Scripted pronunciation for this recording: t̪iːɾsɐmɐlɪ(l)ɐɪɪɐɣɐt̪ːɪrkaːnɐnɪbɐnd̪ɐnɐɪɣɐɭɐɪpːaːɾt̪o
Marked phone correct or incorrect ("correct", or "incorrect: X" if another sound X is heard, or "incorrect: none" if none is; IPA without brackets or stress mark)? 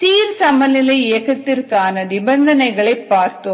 correct